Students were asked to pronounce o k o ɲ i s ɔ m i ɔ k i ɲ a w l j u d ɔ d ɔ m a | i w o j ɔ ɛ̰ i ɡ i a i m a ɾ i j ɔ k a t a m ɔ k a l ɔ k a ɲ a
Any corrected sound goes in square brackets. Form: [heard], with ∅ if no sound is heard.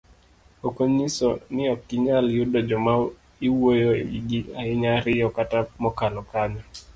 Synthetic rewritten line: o k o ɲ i s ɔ [n] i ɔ k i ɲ a [∅] l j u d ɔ [d͡ʒ] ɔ m a | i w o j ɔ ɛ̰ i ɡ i a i [ɲ] a ɾ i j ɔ k a t a m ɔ k a l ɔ k a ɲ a